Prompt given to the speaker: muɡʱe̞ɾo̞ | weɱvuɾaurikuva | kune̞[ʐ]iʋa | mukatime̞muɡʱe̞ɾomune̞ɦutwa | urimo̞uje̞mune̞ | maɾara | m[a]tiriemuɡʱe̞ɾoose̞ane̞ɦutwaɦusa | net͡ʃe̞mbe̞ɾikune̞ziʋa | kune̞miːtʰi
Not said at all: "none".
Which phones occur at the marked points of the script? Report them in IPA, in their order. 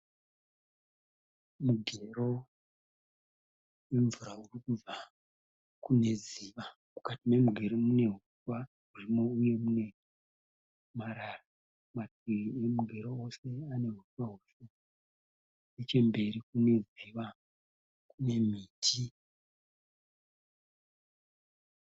z, a

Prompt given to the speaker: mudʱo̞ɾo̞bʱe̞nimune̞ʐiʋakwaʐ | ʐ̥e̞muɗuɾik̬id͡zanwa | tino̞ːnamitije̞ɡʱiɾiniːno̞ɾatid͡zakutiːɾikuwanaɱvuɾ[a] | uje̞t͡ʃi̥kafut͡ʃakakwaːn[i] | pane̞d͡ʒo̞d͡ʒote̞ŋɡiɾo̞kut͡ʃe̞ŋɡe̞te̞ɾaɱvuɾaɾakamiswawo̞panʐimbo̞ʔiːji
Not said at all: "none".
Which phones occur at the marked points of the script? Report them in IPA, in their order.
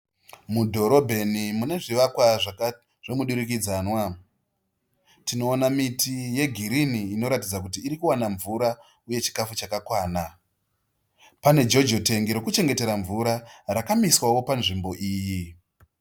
a, a

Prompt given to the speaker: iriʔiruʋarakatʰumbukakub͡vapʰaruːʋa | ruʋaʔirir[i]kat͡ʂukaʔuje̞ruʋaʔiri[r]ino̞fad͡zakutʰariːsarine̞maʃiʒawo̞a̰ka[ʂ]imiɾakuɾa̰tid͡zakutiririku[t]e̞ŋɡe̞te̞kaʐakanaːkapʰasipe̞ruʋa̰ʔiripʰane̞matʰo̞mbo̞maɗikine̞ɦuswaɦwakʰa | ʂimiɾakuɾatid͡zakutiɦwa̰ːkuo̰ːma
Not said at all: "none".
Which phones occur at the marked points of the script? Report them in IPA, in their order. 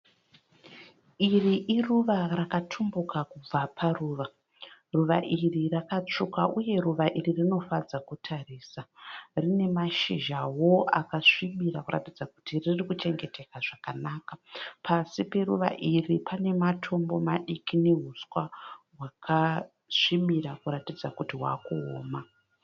a, r, ʂ, t͡ʃ

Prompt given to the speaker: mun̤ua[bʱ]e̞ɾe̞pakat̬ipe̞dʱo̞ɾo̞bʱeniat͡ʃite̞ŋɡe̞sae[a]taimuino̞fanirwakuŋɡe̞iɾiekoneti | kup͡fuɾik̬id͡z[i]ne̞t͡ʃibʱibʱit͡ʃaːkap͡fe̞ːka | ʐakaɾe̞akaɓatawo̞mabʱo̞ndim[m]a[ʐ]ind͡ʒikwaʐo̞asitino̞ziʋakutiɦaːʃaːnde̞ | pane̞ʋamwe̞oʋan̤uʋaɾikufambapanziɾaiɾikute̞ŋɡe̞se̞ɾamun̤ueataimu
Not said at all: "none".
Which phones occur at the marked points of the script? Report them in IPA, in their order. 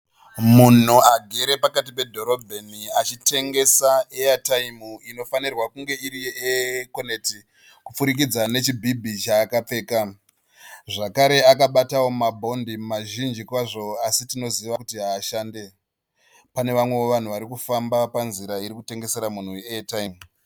ɡʱ, a, a, m, ʒ

